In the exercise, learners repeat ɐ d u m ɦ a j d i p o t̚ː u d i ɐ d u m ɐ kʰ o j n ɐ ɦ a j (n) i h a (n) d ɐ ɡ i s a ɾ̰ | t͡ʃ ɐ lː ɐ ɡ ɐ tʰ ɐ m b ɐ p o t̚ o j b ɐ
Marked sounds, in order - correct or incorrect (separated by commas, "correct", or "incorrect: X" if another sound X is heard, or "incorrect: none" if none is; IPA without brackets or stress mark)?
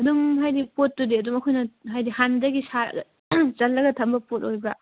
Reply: incorrect: d, correct